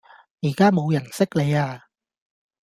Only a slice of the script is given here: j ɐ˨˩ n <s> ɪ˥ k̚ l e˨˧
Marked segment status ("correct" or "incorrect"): correct